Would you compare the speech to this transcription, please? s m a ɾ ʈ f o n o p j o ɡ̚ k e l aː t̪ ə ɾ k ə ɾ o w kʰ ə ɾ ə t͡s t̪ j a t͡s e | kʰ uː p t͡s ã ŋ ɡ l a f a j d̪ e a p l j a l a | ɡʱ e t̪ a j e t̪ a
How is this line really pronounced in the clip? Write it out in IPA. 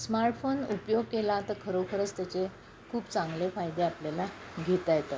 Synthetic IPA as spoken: s m a ɾ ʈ f o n u p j o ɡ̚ k e l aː t̪ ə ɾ kʰ ə ɾ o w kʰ ə ɾ ə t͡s t̪ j a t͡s e | kʰ uː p t͡s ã ŋ ɡ l e f a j d̪ e a p l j a l a | ɡʱ e t̪ a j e t̪ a